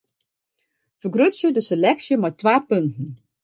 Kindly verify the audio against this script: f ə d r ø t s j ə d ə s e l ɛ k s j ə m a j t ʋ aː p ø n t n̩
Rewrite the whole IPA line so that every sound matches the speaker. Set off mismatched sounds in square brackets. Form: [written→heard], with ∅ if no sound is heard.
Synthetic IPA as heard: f ə [d→ɡ] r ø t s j ə d ə s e l ɛ k s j ə m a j t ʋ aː p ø n t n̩